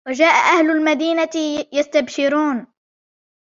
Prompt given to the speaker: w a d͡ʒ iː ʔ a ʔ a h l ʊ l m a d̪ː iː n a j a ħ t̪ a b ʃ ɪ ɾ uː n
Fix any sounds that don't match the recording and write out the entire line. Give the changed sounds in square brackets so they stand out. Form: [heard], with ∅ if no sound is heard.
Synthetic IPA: w a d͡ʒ [aː] ʔ a ʔ a h l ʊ l m a [d̪] iː n a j a [s] t̪ a b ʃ ɪ ɾ uː n